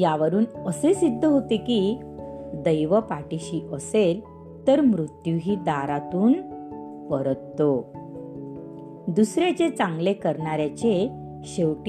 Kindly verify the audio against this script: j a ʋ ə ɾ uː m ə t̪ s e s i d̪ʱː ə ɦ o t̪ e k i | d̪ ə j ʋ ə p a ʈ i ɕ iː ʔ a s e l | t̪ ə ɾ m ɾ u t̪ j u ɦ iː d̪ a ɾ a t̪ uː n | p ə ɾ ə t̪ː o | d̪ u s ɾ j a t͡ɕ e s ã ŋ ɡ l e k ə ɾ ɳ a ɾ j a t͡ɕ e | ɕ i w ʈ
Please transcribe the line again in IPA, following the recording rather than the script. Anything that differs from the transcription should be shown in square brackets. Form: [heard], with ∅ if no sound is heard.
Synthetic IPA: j a ʋ ə ɾ uː [n] ə [∅] s e s i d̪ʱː ə ɦ o t̪ e k i | d̪ ə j ʋ ə p a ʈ i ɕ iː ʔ [ə] s e l | t̪ ə ɾ m ɾ u t̪ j u ɦ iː d̪ a ɾ a t̪ uː n | p ə ɾ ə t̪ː o | d̪ u s ɾ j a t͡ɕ e [t͡s] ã ŋ ɡ l e k ə ɾ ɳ a ɾ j a t͡ɕ e | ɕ [e] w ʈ